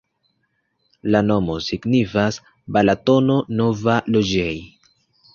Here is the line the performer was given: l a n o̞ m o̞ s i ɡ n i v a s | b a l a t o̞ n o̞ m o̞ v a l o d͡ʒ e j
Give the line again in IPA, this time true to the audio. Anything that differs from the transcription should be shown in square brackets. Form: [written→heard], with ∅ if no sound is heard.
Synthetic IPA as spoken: l a n o̞ m o̞ s i ɡ n i [v→f] a s | b a l a t o̞ n o̞ [m→n] o̞ v a l o d͡ʒ e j